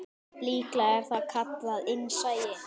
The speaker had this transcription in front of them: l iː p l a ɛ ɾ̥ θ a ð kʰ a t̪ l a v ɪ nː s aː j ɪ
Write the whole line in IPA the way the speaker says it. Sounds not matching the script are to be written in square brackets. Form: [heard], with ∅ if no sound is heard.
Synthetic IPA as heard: l iː [k] l a ɛ ɾ̥ θ a ð kʰ a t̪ l a [ð] ɪ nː s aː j ɪ